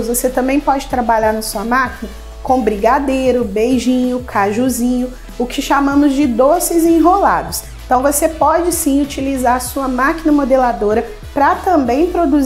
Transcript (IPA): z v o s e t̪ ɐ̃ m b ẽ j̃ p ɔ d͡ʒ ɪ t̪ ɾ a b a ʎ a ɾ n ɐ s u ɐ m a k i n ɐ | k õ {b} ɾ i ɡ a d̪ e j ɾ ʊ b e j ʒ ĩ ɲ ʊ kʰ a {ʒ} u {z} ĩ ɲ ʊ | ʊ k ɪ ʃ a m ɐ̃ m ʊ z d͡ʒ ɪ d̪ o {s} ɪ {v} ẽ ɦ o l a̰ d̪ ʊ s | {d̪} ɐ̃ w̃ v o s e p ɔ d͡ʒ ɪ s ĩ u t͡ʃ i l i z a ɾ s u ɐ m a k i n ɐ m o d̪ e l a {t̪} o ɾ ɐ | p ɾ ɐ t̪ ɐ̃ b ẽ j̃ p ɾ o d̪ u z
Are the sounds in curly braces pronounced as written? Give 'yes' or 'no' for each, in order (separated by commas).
yes, yes, yes, yes, no, no, no